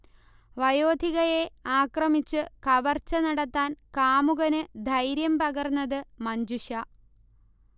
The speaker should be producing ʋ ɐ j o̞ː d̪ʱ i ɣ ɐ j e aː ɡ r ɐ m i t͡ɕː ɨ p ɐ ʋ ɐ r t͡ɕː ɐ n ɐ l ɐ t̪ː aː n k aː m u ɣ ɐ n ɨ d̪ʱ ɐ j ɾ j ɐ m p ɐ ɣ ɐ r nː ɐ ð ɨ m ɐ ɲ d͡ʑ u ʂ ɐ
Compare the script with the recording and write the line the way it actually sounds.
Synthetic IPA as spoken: ʋ ɐ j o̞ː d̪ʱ i ɣ ɐ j e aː k r ɐ m i t͡ɕː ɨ k ɐ ʋ ɐ r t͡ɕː ɐ n ɐ ɽ ɐ t̪ː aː n k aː m u ɣ ɐ n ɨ d̪ʱ ɐ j ɾ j ɐ m p ɐ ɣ ɐ r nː ɐ ð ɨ m ɐ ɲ d͡ʑ u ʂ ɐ